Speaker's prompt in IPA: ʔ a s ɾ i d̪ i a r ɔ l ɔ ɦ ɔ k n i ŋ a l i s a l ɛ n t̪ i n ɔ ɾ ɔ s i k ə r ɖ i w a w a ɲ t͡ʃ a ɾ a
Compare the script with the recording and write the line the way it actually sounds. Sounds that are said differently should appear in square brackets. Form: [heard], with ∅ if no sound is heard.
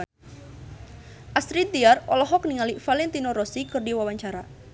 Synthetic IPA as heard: ʔ a s ɾ i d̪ i a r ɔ l ɔ ɦ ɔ k n i ŋ a l i [f] a l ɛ n t̪ i n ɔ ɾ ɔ s i k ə r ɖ i w a w a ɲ t͡ʃ a ɾ a